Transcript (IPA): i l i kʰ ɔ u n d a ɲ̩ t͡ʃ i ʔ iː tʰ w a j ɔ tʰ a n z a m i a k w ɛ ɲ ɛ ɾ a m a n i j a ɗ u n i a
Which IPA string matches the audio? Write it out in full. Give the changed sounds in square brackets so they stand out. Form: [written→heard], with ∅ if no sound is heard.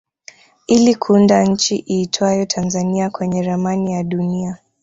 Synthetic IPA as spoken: i l i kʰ [ɔ→u] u n d a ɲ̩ t͡ʃ i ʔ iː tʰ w a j ɔ tʰ a n z a [m→n] i a k w ɛ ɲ ɛ ɾ a m a n i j a ɗ u n i a